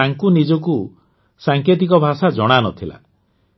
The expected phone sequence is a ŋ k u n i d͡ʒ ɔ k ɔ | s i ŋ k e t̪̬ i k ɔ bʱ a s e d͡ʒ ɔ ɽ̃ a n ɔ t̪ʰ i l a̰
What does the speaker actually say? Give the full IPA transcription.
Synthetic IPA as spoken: a ŋ k u n i d͡ʒ ɔ k u | s a ŋ k e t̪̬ i k ɔ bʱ a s a d͡ʒ ɔ ɽ̃ a n ɔ t̪ʰ i l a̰